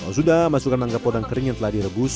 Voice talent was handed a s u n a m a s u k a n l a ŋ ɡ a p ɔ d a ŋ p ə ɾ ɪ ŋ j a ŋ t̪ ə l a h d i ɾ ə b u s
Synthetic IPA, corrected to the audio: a s u d a m a s u k a n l a ŋ ɡ a p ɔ d a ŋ k ə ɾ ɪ ŋ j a ŋ t̪ ə l a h d i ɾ ə b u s